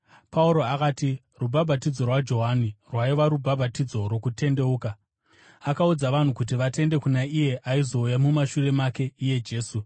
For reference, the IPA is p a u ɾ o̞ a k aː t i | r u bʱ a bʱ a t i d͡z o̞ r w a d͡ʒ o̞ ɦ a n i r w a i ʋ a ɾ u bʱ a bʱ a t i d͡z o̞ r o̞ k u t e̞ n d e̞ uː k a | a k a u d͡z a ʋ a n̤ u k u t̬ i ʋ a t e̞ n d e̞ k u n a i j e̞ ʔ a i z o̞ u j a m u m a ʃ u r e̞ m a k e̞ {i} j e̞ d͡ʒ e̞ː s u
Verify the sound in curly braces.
correct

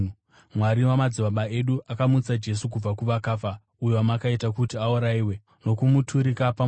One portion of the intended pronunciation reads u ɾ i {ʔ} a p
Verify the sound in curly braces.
incorrect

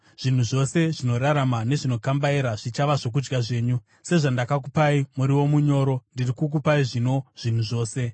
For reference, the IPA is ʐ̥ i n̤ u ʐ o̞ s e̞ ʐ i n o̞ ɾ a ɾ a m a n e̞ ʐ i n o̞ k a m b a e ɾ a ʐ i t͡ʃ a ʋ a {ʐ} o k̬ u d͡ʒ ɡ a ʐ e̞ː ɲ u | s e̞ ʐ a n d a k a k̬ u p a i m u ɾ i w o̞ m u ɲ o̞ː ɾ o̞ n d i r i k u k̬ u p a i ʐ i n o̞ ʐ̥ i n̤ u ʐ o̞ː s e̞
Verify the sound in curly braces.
correct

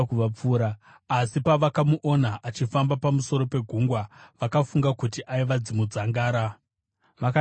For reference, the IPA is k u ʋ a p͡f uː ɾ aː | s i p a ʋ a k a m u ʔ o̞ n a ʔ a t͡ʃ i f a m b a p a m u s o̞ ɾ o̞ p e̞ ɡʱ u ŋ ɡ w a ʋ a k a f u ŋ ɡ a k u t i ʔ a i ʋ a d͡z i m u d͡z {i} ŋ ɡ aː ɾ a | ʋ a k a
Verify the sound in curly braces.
incorrect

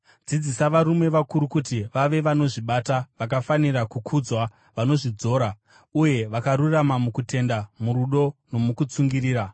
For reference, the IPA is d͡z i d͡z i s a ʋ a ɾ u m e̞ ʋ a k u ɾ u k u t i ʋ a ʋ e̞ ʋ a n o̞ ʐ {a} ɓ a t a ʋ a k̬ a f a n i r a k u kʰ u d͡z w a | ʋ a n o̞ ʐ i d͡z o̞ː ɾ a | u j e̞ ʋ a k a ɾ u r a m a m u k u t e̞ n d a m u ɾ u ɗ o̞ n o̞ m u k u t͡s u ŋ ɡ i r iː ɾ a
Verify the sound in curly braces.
incorrect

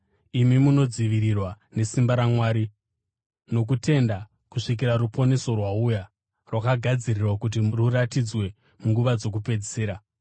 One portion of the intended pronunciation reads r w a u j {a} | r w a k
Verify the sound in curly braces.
correct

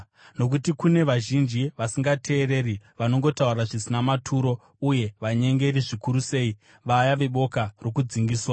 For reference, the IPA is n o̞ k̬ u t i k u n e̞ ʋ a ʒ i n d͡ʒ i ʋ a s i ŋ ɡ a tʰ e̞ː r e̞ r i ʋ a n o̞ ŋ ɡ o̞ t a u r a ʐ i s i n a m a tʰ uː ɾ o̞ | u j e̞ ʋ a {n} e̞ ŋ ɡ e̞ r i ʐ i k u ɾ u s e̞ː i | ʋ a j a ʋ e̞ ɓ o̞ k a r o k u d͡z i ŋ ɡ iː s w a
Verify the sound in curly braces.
incorrect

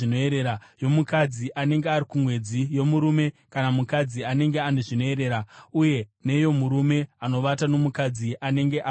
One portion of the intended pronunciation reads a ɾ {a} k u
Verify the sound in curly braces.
incorrect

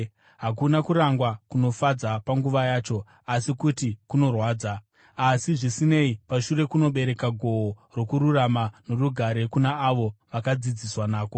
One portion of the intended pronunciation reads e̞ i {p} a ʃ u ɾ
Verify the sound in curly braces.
correct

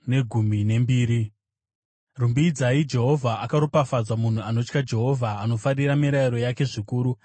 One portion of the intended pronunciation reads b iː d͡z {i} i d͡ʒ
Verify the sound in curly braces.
incorrect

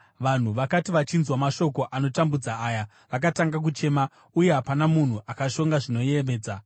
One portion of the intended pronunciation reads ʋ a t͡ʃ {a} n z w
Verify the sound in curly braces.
incorrect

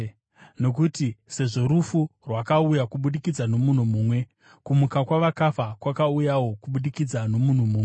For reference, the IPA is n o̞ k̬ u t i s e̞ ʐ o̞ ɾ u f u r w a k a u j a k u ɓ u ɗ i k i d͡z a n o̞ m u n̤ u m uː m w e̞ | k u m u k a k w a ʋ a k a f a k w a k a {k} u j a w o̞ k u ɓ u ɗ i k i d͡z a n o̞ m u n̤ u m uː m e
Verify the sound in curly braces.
incorrect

